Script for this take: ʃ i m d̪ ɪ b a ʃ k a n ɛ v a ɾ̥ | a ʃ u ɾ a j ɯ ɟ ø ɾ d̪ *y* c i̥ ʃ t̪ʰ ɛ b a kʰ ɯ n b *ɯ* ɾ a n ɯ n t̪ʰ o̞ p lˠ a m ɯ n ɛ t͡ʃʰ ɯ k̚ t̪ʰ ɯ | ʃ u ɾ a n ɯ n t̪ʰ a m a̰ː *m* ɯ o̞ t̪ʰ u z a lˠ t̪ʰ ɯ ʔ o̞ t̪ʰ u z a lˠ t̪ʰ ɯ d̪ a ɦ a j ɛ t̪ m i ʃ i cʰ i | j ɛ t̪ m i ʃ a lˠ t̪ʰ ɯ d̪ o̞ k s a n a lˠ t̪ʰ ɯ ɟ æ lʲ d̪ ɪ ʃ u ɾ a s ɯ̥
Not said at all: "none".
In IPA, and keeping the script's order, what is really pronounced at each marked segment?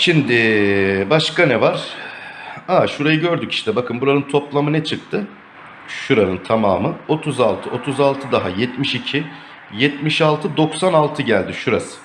y, u, m

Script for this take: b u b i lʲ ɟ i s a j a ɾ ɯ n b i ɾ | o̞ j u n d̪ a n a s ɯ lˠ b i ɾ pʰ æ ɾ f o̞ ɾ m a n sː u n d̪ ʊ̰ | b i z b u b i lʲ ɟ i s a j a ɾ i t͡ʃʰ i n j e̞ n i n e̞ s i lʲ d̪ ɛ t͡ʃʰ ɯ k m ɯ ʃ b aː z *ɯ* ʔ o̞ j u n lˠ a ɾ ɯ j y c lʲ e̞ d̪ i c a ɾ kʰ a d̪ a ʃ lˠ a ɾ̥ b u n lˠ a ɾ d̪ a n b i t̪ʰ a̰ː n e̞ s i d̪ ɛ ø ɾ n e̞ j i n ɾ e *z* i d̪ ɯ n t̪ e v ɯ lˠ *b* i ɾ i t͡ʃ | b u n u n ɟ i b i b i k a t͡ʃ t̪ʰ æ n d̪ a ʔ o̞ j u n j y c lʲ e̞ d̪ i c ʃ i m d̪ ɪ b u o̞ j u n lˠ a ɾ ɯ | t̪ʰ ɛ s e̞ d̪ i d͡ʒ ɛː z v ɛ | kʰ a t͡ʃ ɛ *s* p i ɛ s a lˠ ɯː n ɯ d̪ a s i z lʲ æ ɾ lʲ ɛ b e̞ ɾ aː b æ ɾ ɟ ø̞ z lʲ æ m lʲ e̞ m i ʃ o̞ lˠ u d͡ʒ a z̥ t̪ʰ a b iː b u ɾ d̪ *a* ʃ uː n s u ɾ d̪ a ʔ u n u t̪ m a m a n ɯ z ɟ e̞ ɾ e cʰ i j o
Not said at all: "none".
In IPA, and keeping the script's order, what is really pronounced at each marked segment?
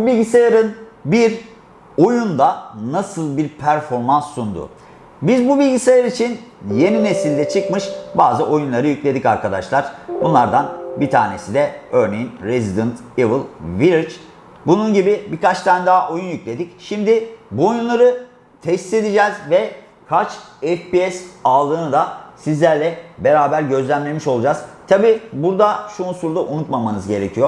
ɯ, z, v, f, a

